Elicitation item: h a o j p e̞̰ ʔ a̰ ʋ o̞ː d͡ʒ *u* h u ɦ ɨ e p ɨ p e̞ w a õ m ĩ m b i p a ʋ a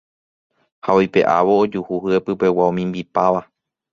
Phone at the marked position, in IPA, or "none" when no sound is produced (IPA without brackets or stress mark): u